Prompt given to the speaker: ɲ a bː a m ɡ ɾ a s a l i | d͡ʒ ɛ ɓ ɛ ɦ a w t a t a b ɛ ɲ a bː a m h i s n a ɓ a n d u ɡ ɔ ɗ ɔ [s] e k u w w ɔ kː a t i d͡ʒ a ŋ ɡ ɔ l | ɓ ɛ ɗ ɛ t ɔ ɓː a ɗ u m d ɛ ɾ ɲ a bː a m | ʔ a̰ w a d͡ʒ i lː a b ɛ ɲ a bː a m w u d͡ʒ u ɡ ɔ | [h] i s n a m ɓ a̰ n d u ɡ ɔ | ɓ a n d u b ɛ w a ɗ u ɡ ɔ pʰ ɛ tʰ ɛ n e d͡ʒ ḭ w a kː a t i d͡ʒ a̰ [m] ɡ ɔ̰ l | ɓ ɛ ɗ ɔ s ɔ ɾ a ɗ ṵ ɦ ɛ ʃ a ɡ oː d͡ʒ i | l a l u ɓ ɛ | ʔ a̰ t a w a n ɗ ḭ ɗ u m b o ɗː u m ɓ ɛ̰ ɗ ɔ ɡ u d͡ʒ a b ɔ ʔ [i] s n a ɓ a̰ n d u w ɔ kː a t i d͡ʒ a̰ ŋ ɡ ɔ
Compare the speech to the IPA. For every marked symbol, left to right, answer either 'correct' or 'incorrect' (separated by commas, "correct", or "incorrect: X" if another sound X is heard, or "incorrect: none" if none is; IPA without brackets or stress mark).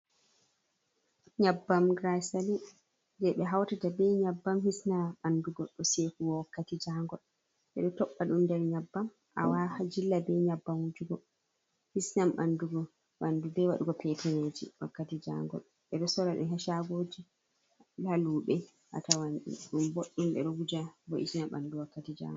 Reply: correct, correct, incorrect: ŋ, correct